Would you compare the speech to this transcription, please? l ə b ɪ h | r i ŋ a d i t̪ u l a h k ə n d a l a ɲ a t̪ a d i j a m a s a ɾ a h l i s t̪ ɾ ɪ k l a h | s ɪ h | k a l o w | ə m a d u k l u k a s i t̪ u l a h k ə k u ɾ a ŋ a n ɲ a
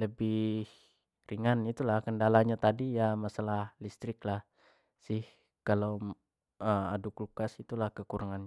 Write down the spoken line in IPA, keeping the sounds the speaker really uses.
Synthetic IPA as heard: l ə b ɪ h | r i ŋ a n i t̪ u l a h k ə n d a l a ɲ a t̪ a d i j a m a s a l a h l i s t̪ ɾ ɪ k l a h | s ɪ h | k a l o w | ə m a d u k l u k a s i t̪ u l a h k ə k u ɾ a ŋ a n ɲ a